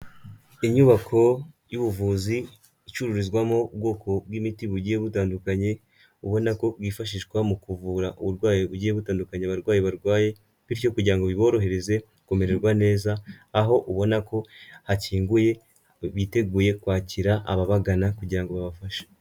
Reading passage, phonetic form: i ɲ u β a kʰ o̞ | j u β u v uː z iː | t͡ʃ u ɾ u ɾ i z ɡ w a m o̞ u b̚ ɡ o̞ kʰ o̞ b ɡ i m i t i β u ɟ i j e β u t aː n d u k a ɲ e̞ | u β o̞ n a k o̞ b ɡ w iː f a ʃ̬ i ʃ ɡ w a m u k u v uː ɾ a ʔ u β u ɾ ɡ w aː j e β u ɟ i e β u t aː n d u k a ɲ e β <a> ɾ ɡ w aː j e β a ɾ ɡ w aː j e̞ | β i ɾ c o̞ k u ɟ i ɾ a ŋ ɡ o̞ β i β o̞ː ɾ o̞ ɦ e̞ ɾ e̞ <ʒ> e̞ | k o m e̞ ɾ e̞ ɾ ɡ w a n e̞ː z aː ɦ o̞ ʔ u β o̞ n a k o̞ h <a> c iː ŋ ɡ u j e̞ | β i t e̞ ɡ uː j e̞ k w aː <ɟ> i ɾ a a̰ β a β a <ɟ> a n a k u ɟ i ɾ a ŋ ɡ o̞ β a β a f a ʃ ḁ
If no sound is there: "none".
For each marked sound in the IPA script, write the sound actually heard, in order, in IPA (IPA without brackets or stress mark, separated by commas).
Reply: a, z, a, c, ɡ